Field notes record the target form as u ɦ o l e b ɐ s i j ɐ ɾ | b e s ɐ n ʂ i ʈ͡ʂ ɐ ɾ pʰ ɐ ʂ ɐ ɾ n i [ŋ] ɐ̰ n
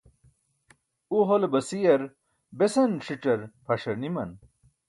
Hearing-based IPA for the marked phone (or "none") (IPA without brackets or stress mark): m